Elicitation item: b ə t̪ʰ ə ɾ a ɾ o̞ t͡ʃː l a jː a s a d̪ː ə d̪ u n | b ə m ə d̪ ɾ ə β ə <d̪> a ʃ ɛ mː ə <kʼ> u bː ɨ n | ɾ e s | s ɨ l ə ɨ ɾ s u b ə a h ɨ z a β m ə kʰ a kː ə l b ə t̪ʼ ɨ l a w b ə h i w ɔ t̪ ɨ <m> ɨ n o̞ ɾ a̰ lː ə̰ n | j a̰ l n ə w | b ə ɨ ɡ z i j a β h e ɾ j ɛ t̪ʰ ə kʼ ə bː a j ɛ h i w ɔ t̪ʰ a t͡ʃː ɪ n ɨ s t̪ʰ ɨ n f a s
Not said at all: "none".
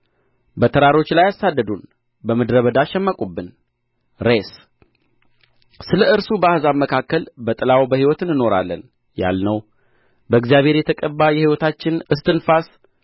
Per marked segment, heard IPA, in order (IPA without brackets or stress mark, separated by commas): d̪, kʼ, n